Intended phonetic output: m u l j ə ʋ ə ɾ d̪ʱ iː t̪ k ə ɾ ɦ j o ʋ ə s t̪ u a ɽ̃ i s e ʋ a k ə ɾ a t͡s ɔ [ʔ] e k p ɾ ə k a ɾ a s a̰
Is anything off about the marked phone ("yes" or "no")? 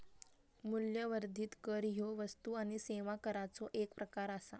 no